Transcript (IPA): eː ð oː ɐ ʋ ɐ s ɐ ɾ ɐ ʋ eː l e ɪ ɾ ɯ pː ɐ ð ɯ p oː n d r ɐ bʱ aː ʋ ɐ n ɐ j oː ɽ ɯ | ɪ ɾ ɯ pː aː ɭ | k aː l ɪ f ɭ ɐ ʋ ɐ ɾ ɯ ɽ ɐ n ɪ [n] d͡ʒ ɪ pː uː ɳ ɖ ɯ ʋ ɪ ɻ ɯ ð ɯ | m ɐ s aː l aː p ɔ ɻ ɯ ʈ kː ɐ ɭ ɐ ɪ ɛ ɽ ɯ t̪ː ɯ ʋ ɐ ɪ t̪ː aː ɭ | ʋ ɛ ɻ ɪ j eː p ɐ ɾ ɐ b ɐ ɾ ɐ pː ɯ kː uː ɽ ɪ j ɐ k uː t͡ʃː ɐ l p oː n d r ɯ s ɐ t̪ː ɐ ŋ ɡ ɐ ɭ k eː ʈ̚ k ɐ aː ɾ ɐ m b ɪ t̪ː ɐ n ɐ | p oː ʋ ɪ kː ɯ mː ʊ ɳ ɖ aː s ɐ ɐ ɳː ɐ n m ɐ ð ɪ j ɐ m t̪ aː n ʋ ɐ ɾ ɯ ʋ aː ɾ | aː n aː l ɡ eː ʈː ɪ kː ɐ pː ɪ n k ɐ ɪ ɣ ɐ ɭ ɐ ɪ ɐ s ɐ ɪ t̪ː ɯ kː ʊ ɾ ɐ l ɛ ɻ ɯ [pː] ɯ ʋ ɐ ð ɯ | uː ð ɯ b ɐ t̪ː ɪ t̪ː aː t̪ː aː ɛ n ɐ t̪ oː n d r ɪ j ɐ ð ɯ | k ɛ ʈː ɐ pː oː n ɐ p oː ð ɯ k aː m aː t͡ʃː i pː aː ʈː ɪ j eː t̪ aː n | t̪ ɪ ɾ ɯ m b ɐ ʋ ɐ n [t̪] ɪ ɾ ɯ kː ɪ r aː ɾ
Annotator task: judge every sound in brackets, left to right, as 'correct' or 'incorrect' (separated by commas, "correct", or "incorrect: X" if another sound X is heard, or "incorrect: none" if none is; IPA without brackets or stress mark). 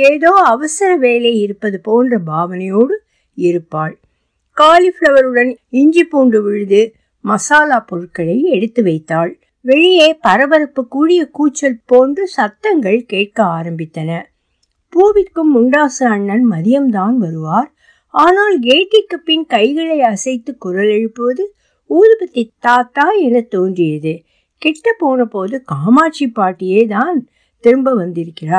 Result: incorrect: ɲ, correct, incorrect: d̪